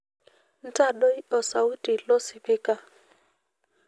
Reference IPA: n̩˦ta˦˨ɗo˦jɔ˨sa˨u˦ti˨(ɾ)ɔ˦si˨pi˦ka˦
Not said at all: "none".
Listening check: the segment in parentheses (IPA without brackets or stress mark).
l